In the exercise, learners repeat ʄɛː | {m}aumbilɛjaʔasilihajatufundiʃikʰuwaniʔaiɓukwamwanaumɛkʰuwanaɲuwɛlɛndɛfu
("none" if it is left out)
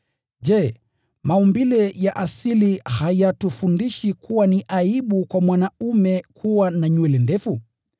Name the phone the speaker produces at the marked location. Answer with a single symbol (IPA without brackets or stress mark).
m